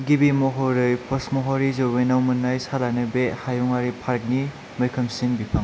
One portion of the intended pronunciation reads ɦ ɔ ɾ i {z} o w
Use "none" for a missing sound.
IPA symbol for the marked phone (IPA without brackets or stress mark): z